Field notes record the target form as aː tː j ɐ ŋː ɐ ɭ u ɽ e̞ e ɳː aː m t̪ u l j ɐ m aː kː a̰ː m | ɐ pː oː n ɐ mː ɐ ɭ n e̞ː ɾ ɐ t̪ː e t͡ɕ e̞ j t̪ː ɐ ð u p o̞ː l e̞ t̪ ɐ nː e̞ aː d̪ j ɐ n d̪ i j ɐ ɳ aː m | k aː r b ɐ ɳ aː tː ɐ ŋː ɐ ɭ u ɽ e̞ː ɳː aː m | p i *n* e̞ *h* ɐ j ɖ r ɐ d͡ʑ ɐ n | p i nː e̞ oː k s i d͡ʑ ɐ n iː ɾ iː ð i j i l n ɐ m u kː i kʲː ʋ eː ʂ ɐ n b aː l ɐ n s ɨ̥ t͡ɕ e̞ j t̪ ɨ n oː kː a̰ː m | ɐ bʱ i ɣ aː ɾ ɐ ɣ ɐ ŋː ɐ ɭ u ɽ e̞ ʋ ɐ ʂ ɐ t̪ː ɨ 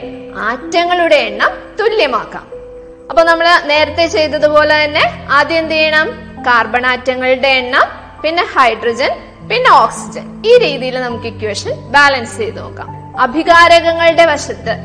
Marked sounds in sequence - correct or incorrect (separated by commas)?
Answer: incorrect, correct